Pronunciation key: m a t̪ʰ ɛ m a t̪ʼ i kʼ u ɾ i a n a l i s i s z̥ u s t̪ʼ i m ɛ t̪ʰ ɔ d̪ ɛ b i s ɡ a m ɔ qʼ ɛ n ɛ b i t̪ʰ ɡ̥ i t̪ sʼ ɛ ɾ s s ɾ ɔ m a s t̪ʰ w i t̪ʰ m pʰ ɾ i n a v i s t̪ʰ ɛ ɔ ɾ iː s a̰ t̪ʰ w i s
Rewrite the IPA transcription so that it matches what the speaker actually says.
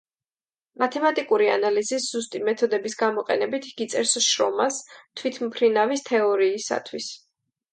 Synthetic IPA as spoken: m a t̪ʰ ɛ m a t̪ʼ i kʼ u ɾ i a n a l i z i s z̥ u s t̪ʼ i m ɛ t̪ʰ ɔ d̪ ɛ b i s ɡ a m ɔ qʼ ɛ n ɛ b i t̪ʰ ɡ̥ i t̪ sʼ ɛ ɾ s ʃ ɾ ɔ m a s t̪ʰ w i t̪ʰ m pʰ ɾ i n a v i s t̪ʰ ɛ ɔ ɾ iː s a̰ t̪ʰ w i s

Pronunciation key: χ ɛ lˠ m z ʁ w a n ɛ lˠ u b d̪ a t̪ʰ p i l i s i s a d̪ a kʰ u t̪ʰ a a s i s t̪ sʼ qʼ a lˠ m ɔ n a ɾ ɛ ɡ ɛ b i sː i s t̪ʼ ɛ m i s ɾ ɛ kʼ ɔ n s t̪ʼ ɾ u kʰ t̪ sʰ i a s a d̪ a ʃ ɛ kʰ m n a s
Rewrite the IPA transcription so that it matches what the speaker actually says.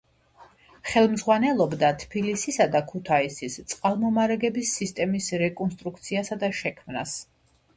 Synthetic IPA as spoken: χ ɛ lˠ m z ʁ w a n ɛ lˠ ɔ b d̪ a t̪ʰ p i l i s i s a d̪ a kʰ u t̪ʰ a i s i s t̪ sʼ qʼ a lˠ m ɔ m a ɾ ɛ ɡ ɛ b i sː i s t̪ʼ ɛ m i s ɾ ɛ kʼ ɔ n s t̪ʼ ɾ u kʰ t̪ sʰ i a s a d̪ a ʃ ɛ kʰ m n a s

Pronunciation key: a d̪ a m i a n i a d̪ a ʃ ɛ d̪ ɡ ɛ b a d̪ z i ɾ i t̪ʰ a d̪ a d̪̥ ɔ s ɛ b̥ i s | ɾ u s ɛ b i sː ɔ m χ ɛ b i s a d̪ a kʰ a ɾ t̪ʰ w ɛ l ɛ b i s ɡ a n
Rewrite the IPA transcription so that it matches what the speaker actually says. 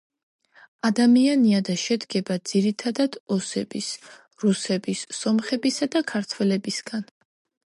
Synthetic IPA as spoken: a d̪ a m i a n i a d̪ a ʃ ɛ d̪ ɡ ɛ b a d̪ z i ɾ i t̪ʰ a d̪ a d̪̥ ɔ s ɛ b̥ i s | ɾ u s ɛ b i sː ɔ m χ ɛ b i s a d̪ a kʰ a ɾ t̪ʰ w ɛ l ɛ b i s ɡ a n

